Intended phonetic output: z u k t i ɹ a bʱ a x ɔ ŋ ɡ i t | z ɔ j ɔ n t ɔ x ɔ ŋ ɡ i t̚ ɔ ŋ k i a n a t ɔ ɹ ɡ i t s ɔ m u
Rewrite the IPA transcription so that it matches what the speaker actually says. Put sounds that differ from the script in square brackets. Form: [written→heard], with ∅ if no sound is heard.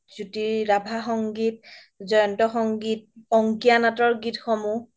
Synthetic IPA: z u [k→∅] t i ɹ a bʱ a x ɔ ŋ ɡ i t | z ɔ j ɔ n t ɔ x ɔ ŋ ɡ i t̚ ɔ ŋ k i a n a t ɔ ɹ ɡ i t [s→x] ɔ m u